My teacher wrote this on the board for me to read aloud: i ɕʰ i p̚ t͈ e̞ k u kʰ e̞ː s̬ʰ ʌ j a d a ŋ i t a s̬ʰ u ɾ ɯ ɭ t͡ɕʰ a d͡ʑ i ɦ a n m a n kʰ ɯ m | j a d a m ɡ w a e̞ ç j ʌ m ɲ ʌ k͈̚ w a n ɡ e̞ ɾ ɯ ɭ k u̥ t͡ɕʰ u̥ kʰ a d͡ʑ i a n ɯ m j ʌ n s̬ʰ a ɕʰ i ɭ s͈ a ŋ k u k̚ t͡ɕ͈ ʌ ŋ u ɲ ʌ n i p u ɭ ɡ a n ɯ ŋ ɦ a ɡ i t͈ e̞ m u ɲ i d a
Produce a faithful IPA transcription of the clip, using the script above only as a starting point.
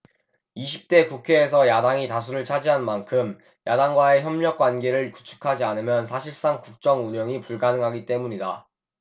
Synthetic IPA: i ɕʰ i p̚ t͈ e̞ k u kʰ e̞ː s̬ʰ ʌ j a d a ŋ i t a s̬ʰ u ɾ ɯ ɭ t͡ɕʰ a d͡ʑ i ɦ a n m a n kʰ ɯ m | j a d a ŋ ɡ w a e̞ ç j ʌ m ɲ ʌ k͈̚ w a n ɡ e̞ ɾ ɯ ɭ k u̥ t͡ɕʰ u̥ kʰ a d͡ʑ i a n ɯ m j ʌ n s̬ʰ a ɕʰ i ɭ s͈ a ŋ k u k̚ t͡ɕ͈ ʌ ŋ u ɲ ʌ ŋ i p u ɭ ɡ a n ɯ ŋ ɦ a ɡ i t͈ e̞ m u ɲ i d a